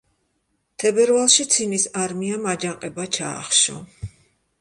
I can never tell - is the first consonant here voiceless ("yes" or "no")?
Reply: yes